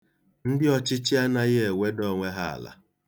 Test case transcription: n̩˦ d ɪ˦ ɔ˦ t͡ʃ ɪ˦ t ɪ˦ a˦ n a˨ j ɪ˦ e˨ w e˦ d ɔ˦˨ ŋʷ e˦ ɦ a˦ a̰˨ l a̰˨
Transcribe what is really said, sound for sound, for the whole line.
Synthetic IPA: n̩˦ d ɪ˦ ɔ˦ t͡ʃ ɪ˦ t͡ʃ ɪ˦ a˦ n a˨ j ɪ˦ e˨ w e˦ d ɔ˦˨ ŋʷ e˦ ɦ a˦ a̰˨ l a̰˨